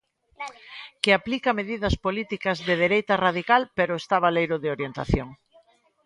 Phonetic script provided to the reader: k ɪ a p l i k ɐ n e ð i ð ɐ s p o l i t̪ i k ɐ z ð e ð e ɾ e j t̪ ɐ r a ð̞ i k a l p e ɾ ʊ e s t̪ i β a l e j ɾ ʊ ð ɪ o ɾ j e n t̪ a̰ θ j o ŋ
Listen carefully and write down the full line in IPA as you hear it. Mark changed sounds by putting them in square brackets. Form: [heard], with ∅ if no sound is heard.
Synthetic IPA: k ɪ a p l i k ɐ [m] e ð i ð ɐ s p o l i t̪ i k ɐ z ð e ð e ɾ e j t̪ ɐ r a ð̞ i k a l p e ɾ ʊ e s t̪ [a] β a l e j ɾ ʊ ð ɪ o ɾ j e n t̪ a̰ θ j o ŋ